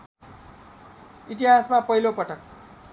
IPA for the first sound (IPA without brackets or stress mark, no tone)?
i